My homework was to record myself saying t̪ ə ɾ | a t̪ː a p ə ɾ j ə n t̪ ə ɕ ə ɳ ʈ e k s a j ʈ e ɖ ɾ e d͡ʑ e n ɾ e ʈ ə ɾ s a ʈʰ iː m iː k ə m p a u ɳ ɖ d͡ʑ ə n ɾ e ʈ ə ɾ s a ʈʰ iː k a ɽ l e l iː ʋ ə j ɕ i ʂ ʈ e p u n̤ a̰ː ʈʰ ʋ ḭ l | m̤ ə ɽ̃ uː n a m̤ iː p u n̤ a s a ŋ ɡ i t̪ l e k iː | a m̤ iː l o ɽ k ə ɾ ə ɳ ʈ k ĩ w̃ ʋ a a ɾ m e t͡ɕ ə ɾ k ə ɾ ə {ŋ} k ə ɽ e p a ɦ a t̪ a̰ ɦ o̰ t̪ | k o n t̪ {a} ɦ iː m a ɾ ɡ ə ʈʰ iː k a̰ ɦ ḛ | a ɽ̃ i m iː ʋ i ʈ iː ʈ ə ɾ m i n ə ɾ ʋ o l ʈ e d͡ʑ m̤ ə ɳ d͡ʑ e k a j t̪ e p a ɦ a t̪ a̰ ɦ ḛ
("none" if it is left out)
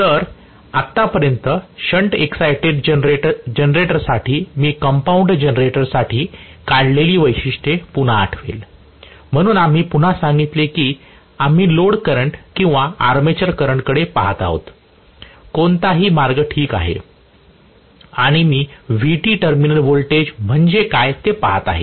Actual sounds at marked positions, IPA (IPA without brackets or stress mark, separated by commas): ɳ, a